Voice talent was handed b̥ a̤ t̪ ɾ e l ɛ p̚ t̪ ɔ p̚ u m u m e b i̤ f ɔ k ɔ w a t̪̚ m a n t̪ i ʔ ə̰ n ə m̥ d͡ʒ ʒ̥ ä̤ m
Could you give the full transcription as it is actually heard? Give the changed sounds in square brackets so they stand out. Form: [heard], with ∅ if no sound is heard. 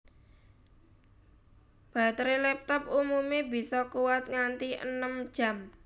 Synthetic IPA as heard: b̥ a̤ t̪ ɾ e l ɛ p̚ t̪ ɔ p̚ u m u m e b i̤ [s] ɔ k [u] w a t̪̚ [ŋ] a n t̪ i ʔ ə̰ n ə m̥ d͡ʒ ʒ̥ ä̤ m

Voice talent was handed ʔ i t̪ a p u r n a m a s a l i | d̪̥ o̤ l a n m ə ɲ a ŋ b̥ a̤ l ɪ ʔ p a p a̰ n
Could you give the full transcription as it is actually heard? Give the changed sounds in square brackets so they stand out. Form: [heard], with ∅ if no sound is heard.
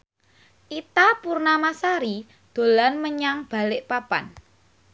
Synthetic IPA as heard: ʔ i t̪ a p u r n a m a s a [ɾ] i | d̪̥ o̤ l a n m ə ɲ a ŋ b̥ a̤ l ɪ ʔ p a p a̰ n

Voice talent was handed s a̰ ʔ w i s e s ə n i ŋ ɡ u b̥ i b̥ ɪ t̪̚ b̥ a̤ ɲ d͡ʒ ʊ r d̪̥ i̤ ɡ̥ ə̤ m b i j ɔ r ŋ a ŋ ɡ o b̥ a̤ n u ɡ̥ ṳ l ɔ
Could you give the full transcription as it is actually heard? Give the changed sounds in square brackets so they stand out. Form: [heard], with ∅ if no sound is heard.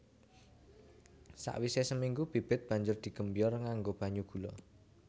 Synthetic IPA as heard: s a̰ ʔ w i s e s ə [m] i ŋ ɡ u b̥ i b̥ ɪ t̪̚ b̥ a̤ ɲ d͡ʒ ʊ r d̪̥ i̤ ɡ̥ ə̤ m b i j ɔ r ŋ a ŋ ɡ o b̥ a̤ [ɲ] u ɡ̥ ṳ l ɔ

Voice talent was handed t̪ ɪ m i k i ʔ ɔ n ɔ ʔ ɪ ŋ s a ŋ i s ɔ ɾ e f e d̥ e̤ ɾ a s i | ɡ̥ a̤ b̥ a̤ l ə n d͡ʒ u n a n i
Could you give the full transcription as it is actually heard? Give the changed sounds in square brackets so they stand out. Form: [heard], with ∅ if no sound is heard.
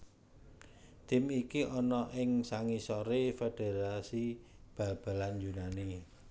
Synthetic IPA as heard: t̪ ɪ m i k i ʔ ɔ n ɔ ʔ ɪ ŋ s a ŋ i s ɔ ɾ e f e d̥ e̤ ɾ a s i | [b̥] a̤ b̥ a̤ l [a] n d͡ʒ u n a n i

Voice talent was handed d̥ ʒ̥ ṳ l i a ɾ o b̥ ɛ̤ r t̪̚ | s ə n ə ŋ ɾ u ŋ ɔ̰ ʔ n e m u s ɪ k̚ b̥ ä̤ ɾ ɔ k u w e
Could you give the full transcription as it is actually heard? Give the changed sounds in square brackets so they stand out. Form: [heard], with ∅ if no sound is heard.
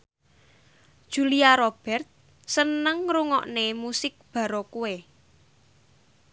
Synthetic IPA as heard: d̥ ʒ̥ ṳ l i a ɾ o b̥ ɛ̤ r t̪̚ | s ə n ə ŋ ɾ u ŋ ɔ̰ ʔ n e m u s ɪ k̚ b̥ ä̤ ɾ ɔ k u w e

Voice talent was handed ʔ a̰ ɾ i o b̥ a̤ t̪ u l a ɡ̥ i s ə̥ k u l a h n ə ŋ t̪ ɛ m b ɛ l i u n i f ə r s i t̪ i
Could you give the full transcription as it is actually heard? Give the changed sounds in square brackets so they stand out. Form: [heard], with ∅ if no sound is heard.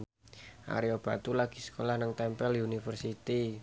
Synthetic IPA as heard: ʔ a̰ ɾ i o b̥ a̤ t̪ u l a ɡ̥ i s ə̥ k [o] l a h n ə ŋ t̪ ɛ m [p] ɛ l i u n i f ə r s i t̪ i

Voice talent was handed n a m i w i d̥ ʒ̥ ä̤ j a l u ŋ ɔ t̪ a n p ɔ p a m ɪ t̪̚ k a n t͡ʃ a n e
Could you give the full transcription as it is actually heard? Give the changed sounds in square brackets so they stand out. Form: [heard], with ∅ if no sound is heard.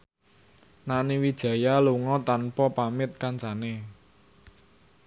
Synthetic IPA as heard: n a [n] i w i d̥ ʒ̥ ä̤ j a l u ŋ ɔ t̪ a n p ɔ p a m ɪ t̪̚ k a n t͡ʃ a n e

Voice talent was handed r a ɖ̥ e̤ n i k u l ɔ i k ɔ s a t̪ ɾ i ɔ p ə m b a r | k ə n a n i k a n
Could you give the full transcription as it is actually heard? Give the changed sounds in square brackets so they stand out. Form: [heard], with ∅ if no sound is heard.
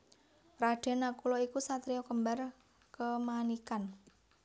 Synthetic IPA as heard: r a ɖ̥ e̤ n [a] k u l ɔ i k [u] s a t̪ ɾ i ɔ [k] ə m b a r | k ə [m] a n i k a n

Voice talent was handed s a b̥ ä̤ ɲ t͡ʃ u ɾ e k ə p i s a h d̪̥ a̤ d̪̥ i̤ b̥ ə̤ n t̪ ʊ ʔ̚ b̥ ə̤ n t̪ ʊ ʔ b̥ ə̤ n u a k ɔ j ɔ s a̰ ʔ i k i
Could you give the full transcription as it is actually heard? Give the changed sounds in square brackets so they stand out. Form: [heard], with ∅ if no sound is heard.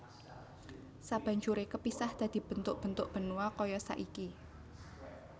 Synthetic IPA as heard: s a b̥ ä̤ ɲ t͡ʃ u ɾ e k ə p i s a h d̪̥ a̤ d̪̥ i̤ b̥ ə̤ n t̪ ʊ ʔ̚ b̥ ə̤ n t̪ ʊ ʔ b̥ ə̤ n u a k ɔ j ɔ s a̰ ʔ i k i

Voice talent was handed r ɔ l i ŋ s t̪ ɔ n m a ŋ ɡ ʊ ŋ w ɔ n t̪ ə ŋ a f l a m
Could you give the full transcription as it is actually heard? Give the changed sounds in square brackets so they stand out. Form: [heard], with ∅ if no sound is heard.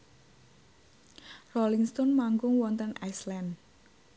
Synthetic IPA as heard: r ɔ l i ŋ s t̪ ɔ n m a ŋ ɡ ʊ ŋ w ɔ n t̪ ə [n] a [s] l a [n]

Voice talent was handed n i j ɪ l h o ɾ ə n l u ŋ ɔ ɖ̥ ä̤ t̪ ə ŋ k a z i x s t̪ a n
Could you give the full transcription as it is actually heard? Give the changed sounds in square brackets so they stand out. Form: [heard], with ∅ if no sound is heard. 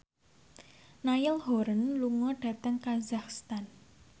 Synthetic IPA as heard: n [a] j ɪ l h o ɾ ə n l u ŋ ɔ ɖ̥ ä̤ t̪ ə ŋ k a z [a] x s t̪ a n

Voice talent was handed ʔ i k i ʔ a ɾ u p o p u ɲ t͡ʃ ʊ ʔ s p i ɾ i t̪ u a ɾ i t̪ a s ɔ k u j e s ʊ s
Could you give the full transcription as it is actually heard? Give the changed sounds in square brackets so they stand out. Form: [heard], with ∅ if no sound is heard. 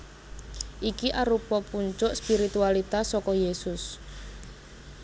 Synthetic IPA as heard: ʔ i k i ʔ a ɾ u p [ɔ] p u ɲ t͡ʃ ʊ ʔ s p i ɾ i t̪ u a [l] i t̪ a s ɔ k [ɔ] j e s ʊ s

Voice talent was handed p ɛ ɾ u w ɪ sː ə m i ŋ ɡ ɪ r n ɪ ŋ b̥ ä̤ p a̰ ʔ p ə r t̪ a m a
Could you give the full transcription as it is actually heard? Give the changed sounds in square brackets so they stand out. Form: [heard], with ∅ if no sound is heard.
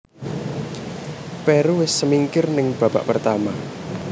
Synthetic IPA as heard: p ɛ ɾ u w ɪ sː ə m i ŋ [k] ɪ r n ɪ ŋ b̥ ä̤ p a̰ ʔ p ə r t̪ a m a

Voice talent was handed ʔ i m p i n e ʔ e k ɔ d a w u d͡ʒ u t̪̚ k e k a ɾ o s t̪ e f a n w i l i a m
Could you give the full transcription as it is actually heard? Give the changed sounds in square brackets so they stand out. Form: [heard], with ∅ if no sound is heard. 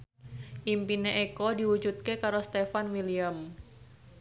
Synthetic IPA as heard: ʔ i m p i n e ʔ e k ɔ d [i] w u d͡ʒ u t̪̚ k e k a ɾ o s t̪ e f a n w i l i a m

